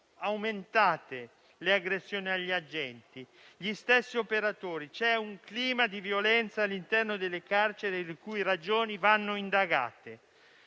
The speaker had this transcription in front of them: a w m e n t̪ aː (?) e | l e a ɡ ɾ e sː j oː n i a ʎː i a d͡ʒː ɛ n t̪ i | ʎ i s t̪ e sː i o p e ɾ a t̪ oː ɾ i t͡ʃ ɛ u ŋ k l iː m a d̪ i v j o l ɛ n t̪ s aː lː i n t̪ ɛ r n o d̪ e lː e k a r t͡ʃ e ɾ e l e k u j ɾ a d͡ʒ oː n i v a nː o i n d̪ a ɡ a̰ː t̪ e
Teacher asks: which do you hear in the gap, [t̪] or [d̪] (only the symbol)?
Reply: t̪